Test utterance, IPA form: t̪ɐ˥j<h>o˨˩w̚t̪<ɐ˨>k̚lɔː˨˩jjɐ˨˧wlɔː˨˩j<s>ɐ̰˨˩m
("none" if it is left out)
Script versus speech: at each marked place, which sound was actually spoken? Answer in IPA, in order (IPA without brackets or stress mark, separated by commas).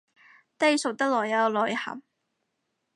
s, ɐ˥, h